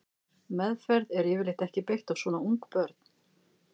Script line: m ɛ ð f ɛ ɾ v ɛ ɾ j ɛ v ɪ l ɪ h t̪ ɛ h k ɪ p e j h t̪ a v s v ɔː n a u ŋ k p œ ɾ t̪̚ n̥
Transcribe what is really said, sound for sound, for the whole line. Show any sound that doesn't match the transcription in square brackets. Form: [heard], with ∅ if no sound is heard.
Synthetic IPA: m ɛ ð f ɛ ɾ [ð] ɛ ɾ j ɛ v ɪ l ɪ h t̪ ɛ h [c] ɪ p e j h t̪ a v s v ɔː n a u ŋ k p œ ɾ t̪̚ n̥

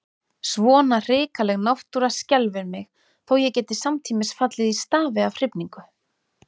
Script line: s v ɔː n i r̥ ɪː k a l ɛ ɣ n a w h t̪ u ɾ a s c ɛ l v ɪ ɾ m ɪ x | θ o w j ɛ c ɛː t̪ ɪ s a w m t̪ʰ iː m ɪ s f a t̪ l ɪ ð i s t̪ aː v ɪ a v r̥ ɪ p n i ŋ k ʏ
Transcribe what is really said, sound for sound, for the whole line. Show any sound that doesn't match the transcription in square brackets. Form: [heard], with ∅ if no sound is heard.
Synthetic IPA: s v ɔː n [a] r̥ ɪː k a l ɛ ɣ n a w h t̪ u ɾ a s c ɛ l v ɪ ɾ m ɪ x | θ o w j ɛ c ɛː t̪ ɪ s a [∅] m t̪ʰ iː m ɪ s f a t̪ l ɪ ð i s t̪ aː v ɪ a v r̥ ɪ p n i ŋ k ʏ

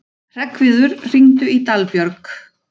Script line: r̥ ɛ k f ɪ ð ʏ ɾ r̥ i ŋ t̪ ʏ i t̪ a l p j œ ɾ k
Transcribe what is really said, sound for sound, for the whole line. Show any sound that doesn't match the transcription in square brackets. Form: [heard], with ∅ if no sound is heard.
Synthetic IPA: r̥ ɛ k [v] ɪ ð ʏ ɾ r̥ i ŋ t̪ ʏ i t̪ a l p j œ ɾ k

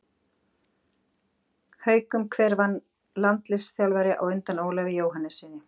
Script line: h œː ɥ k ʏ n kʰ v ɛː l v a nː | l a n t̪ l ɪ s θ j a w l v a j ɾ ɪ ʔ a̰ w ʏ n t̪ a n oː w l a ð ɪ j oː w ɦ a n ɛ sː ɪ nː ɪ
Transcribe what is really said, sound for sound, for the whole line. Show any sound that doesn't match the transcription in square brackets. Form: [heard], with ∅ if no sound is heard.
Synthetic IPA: h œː ɥ k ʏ [m] kʰ v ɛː [ɾ] v a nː | l a n t̪ l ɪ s θ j a w l v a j ɾ ɪ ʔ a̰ w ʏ n t̪ a n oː w l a [v] ɪ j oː w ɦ a n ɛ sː ɪ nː ɪ

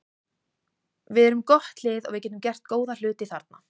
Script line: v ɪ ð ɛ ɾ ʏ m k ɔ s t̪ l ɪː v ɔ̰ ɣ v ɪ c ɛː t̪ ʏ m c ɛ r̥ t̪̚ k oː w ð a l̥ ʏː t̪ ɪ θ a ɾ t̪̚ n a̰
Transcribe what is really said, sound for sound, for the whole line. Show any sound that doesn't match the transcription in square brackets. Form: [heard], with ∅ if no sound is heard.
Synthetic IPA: v ɪ ð ɛ ɾ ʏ m k ɔ [h] t̪ l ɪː [ð] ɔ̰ ɣ v ɪ c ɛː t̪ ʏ m c ɛ r̥ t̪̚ k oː w ð a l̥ ʏː t̪ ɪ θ a ɾ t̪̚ n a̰

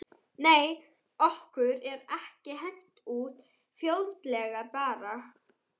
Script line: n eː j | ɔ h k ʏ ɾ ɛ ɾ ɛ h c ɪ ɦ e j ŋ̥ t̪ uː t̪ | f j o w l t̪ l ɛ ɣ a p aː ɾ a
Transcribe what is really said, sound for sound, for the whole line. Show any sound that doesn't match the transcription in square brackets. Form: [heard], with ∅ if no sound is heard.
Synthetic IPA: n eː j | ɔ h k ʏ ɾ ɛ ɾ ɛ h c ɪ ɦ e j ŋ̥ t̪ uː t̪ | f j o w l t̪ l ɛ ɣ a p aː ɾ a

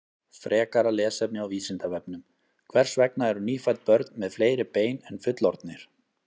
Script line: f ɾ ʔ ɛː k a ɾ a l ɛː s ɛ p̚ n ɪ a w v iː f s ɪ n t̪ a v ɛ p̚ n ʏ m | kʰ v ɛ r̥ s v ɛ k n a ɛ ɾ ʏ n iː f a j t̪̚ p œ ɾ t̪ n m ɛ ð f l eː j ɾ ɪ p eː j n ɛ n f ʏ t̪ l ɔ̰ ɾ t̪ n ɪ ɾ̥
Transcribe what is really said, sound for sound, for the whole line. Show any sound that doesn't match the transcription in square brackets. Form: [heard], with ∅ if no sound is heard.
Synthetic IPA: f ɾ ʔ ɛː k a ɾ a l ɛː s ɛ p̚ n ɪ a w v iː [∅] s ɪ n t̪ a v ɛ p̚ n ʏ m | kʰ v ɛ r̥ s v ɛ k n a ɛ ɾ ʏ n iː f a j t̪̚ p œ ɾ t̪ n m ɛ ð f l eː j ɾ ɪ p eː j n ɛ n f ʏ t̪ l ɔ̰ ɾ t̪ n ɪ ɾ̥

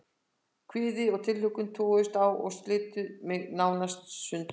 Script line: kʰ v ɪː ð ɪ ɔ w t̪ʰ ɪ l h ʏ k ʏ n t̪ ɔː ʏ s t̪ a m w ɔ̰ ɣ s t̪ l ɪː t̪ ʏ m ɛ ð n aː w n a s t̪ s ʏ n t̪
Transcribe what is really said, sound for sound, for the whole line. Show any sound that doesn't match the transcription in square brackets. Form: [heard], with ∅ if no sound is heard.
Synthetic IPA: kʰ v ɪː ð ɪ ɔ [ɣ] t̪ʰ ɪ l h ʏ k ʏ n [t̪ʰ] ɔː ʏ s t̪ a [∅] w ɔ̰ ɣ s t̪ l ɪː t̪ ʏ m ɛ [ɣ] n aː w n a s t̪ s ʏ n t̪

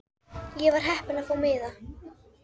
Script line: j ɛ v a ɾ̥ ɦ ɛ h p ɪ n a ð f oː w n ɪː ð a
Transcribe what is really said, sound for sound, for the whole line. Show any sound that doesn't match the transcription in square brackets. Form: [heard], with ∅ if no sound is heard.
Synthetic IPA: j ɛ v a ɾ̥ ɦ ɛ h p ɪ n a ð f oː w [m] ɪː ð a

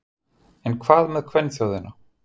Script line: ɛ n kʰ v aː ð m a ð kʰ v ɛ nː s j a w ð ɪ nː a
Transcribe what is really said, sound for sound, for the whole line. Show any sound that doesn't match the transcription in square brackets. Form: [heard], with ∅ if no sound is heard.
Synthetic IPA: ɛ n kʰ v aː ð m [ɛ] ð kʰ v ɛ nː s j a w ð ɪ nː a

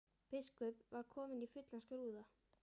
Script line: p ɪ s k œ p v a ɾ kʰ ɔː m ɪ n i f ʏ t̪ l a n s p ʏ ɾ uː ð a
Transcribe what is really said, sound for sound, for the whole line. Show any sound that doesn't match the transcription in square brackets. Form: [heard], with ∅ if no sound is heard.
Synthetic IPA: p ɪ s k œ p v a ɾ kʰ ɔː m ɪ n i f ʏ t̪ l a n s [k] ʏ ɾ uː ð a

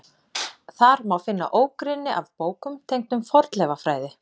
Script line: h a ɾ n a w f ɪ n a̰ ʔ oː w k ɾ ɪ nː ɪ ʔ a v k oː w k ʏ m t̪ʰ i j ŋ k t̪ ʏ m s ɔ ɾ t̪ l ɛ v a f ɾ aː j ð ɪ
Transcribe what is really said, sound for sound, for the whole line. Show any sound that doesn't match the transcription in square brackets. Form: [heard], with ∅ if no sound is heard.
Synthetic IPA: [θ] a ɾ [m] a w f ɪ [nː] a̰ ʔ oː w k ɾ ɪ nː ɪ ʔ a v [p] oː w k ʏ m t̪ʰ [e] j ŋ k t̪ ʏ m [f] ɔ ɾ t̪ l ɛ v a f ɾ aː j ð ɪ

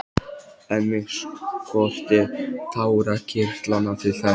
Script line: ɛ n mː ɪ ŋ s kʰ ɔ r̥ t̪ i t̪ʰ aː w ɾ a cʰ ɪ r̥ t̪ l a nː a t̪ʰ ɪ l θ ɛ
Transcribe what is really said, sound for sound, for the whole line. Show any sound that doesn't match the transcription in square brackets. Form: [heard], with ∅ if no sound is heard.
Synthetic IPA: ɛ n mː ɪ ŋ s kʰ ɔ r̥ t̪ [ɪ] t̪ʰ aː w ɾ a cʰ ɪ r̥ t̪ l a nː a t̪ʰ ɪ l θ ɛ

